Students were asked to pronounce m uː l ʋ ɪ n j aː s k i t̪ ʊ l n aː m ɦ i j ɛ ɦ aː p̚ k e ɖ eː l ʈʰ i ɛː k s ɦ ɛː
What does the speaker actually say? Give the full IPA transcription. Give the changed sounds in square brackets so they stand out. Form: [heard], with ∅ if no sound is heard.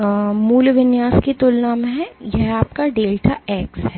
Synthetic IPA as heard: m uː l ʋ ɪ n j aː s k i t̪ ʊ l n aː m ɦ [ɛ] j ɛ ɦ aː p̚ k [a] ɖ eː l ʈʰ [a] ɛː k s ɦ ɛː